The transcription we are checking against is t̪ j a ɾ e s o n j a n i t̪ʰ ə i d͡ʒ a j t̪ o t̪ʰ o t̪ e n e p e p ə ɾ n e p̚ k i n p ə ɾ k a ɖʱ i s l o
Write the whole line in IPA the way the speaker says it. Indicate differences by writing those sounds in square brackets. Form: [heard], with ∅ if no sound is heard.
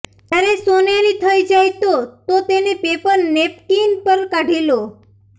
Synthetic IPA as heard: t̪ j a ɾ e s o n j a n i t̪ʰ ə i d͡ʒ a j t̪ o [t̪] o t̪ e n e p e p ə ɾ n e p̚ k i n p ə ɾ k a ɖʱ i [∅] l o